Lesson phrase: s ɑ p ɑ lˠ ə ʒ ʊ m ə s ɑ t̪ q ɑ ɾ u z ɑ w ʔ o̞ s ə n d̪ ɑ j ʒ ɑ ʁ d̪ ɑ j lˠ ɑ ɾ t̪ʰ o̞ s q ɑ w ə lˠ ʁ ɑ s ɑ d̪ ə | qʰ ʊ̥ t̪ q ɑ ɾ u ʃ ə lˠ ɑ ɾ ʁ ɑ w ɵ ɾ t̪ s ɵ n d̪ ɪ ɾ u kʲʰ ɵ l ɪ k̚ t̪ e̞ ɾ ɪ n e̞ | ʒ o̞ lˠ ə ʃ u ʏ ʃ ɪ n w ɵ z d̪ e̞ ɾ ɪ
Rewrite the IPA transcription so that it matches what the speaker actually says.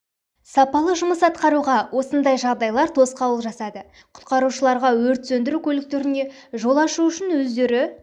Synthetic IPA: s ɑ p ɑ lˠ ə ʒ ʊ m ə s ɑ t̪ q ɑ ɾ u ʁ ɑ w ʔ o̞ s ə n d̪ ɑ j ʒ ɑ ʁ d̪ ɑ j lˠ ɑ ɾ t̪ʰ o̞ s q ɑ w ə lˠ ʒ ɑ s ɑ d̪ ə | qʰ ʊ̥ t̪ q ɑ ɾ u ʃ ə lˠ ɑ ɾ ʁ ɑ w ɵ ɾ t̪ s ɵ n d̪ ɪ ɾ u kʲʰ ɵ l ɪ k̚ t̪ e̞ ɾ ɪ n e̞ | ʒ o̞ lˠ ɑ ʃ u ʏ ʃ ɪ n w ɵ z d̪ e̞ ɾ ɪ